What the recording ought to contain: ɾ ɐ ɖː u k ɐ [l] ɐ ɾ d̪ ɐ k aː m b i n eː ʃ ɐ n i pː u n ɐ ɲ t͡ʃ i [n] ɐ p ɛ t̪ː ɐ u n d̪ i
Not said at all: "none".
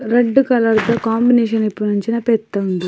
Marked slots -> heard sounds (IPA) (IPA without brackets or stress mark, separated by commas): l, n